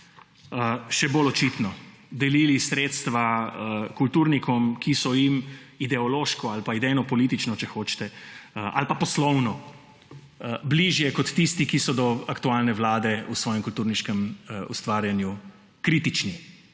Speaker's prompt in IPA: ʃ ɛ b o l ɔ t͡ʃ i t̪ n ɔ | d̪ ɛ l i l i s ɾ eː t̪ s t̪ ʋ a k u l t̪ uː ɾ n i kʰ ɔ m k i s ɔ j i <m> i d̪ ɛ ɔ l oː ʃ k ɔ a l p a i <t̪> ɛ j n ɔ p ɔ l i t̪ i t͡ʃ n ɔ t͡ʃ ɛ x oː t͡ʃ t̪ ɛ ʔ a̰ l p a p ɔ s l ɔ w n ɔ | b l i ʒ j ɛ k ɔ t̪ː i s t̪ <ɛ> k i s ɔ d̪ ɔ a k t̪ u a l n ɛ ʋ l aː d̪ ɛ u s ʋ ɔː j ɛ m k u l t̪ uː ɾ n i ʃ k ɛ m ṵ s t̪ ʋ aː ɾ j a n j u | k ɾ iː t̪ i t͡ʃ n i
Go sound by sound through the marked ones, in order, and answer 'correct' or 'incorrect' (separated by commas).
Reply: correct, incorrect, incorrect